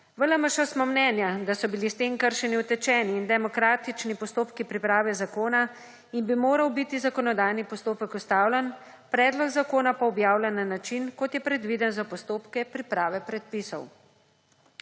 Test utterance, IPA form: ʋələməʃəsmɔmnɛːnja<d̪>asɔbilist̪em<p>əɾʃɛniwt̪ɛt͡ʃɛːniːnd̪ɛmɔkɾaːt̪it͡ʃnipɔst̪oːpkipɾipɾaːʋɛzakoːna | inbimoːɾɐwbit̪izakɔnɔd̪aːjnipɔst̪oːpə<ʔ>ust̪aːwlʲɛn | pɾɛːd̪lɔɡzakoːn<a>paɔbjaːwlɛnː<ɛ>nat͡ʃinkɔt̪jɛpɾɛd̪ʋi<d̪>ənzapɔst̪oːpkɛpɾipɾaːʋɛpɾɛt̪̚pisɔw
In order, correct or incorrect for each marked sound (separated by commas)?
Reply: correct, incorrect, incorrect, correct, incorrect, correct